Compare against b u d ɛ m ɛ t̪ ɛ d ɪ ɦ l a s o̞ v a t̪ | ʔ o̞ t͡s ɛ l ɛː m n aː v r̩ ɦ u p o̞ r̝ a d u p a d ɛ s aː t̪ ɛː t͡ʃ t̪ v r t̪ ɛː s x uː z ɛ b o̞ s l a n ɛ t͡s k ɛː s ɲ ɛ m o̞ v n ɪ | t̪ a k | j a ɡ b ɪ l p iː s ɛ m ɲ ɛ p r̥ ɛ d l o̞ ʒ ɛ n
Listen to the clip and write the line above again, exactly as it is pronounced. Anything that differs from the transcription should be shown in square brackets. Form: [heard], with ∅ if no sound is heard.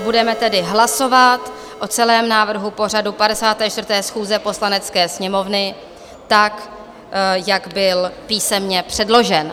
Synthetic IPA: b u d ɛ m ɛ t̪ ɛ d ɪ ɦ l a s o̞ v a t̪ | ʔ o̞ t͡s ɛ l ɛː m n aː v r̩ ɦ u p o̞ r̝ a d u p a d ɛ s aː t̪ ɛː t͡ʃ t̪ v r t̪ ɛː s x uː z ɛ [p] o̞ s l a n ɛ t͡s k ɛː s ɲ ɛ m o̞ v n ɪ | t̪ a k | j a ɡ b ɪ l p iː s ɛ m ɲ ɛ p r̥ ɛ d l o̞ ʒ ɛ n